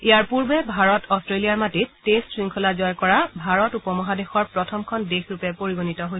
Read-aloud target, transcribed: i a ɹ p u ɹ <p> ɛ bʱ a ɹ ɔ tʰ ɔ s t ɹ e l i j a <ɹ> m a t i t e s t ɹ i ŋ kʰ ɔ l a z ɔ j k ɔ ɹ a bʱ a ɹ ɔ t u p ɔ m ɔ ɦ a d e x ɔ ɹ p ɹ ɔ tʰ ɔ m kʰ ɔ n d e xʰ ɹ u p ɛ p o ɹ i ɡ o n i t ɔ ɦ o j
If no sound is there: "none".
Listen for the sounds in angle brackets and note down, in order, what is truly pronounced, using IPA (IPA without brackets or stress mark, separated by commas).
b, ɹ